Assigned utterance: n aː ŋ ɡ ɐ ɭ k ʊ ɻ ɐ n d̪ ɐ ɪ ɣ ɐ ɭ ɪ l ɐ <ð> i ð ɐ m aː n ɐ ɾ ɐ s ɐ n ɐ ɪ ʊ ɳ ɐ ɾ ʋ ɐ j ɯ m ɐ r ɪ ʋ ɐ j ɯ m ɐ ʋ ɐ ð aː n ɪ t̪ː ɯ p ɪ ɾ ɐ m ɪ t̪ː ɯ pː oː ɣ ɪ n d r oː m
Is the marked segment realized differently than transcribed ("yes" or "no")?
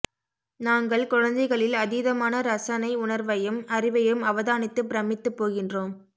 no